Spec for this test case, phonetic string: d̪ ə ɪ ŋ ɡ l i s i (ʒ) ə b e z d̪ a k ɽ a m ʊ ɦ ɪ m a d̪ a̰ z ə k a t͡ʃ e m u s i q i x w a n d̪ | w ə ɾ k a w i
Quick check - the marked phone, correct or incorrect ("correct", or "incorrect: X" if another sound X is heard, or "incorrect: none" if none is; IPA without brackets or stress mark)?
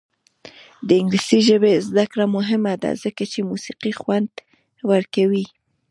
correct